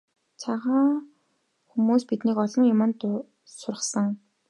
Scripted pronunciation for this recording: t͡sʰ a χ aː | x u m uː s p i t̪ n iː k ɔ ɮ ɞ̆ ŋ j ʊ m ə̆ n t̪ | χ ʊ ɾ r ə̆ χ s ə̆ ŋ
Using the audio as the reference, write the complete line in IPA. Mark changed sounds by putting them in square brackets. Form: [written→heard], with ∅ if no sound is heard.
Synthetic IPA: t͡sʰ a [χ→ʁ] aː | x u m uː s p i t̪ n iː k ɔ ɮ ɞ̆ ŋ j ʊ m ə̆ n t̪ | [χ→s] ʊ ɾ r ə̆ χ s ə̆ ŋ